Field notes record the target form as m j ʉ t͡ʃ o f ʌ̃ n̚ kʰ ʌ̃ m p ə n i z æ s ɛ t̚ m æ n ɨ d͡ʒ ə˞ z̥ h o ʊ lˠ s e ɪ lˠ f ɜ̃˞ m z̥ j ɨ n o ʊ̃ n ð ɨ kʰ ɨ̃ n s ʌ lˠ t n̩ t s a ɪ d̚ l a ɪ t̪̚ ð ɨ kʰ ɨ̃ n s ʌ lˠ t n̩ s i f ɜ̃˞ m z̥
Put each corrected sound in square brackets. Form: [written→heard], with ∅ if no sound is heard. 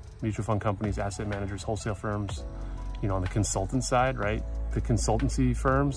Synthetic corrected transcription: m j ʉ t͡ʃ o f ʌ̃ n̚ kʰ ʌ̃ m p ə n i z æ s ɛ t̚ m æ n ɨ d͡ʒ ə˞ z̥ h o ʊ lˠ s e ɪ lˠ f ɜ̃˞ m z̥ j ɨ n o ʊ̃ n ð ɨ kʰ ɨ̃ n s ʌ lˠ t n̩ t s a ɪ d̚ [l→ɹ] a ɪ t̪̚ ð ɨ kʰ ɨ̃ n s ʌ lˠ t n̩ s i f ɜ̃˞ m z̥